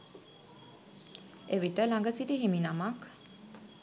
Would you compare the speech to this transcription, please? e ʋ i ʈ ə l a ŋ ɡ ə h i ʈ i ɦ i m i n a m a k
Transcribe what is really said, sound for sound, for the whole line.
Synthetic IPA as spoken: e ʋ i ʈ ə l a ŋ ɡ ə s i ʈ i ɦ i m i n a m a k